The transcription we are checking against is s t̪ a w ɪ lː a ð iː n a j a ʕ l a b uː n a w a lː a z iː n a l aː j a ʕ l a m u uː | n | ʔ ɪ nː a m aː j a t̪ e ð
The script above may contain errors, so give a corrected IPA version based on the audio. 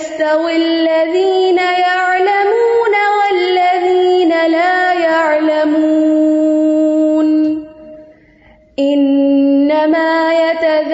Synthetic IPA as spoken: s t̪ a w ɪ lː a ð iː n a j a ʕ l a m uː n a w a lː a ð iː n a l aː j a ʕ l a m u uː | n | ʔ ɪ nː a m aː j a t̪ a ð